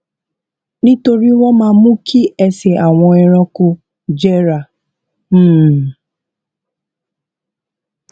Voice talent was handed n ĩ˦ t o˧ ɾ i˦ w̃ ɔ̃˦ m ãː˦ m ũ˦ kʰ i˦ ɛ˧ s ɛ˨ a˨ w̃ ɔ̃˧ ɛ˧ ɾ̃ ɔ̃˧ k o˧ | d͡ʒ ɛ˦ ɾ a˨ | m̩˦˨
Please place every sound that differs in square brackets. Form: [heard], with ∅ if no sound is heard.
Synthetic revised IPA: n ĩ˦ t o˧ ɾ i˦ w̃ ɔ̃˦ m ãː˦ m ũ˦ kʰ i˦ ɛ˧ s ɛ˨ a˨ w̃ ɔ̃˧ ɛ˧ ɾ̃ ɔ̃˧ k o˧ | d͡ʒ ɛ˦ ɾ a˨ | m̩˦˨